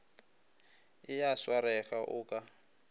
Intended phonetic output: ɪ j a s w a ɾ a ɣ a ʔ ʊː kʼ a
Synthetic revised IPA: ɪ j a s w a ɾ ɛ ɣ a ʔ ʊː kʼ a